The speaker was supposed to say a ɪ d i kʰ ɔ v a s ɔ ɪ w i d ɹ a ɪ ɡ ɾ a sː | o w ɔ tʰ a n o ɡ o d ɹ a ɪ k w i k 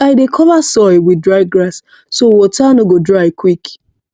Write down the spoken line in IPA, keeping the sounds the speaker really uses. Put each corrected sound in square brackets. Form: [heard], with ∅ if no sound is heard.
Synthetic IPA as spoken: a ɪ d [e] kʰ ɔ v a s ɔ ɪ w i d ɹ a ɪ ɡ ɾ a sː | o w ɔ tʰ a n o ɡ o d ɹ a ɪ k w i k